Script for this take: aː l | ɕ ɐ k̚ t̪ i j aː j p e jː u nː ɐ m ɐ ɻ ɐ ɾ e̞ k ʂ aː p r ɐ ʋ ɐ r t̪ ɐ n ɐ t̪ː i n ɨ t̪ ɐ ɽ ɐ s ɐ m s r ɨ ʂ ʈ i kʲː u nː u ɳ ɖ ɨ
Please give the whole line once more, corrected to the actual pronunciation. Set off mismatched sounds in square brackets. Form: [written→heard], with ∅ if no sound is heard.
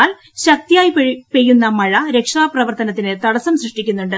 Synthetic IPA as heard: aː l | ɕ ɐ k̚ t̪ i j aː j p e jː u nː ɐ m ɐ ɻ ɐ ɾ e̞ k ʂ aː p r ɐ ʋ ɐ r t̪ ɐ n ɐ t̪ː i n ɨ t̪ ɐ ɽ ɐ s ɐ m s r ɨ ʂ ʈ i kʲː u nː u ɳ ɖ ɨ